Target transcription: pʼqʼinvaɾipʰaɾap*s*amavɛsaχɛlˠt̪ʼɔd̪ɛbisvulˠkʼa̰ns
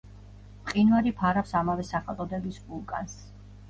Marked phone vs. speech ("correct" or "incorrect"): correct